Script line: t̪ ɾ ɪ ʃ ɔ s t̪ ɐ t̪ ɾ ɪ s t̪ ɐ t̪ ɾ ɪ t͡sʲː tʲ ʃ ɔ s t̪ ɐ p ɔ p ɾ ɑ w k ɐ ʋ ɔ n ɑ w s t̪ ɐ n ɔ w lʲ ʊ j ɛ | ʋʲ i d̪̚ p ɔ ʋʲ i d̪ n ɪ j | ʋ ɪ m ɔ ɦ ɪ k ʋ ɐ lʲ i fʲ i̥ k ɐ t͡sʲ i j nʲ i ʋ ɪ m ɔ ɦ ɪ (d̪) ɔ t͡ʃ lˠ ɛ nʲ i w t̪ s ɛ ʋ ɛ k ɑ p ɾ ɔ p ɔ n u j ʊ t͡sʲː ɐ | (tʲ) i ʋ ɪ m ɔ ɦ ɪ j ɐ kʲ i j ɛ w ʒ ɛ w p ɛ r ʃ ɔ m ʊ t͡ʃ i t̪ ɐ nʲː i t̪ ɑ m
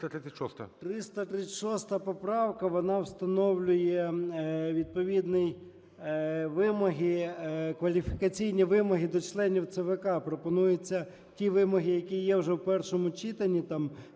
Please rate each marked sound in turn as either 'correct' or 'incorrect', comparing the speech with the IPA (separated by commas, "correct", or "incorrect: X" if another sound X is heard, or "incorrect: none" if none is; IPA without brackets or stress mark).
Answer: correct, correct